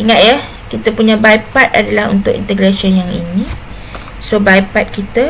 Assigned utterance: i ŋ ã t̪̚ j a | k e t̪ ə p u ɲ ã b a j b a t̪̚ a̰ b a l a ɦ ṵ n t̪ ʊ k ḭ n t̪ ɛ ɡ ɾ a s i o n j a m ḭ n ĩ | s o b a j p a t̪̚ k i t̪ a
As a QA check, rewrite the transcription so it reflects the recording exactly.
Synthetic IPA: i ŋ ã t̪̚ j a | k i t̪ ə p u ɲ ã b a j p a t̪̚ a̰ d a l a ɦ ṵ n t̪ ʊ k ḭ n t̪ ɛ ɡ ɾ a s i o n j a ŋ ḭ n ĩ | s o b a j p a t̪̚ k i t̪ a

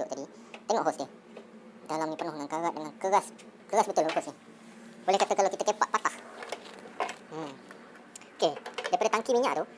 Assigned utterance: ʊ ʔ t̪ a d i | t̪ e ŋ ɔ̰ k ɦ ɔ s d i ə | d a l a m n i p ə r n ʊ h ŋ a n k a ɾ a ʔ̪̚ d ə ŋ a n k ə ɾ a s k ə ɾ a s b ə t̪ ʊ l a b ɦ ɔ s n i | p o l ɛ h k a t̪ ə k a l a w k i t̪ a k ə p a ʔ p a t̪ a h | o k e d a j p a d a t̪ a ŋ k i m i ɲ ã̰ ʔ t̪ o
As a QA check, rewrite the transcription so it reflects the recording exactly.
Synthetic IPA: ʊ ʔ t̪ a d i | t̪ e ŋ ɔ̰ ʔ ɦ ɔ s d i ə | d a l a m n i p ə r n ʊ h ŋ a n k a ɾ a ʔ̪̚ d ə ŋ a n k ə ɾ a s k ə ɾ a s b ə t̪ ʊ l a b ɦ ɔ s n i | b o l ɛ h k a t̪ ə k a l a w k i t̪ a k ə p a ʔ p a t̪ a h | o k e d a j p a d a t̪ a ŋ k i m i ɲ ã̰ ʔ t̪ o

